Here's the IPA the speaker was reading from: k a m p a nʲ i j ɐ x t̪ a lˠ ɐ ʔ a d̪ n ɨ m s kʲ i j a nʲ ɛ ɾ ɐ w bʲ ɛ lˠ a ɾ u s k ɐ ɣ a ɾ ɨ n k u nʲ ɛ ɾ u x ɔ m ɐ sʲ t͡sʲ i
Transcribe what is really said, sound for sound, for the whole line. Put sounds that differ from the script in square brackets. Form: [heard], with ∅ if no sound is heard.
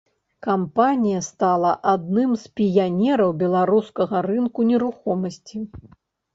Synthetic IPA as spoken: k a m p a nʲ i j ɐ [s] t̪ a lˠ ɐ ʔ a d̪ n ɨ m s [pʲ] i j a nʲ ɛ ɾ ɐ w bʲ ɛ lˠ a ɾ u s k ɐ ɣ [ɐ] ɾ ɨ n k u nʲ ɛ ɾ u x ɔ m ɐ sʲ t͡sʲ i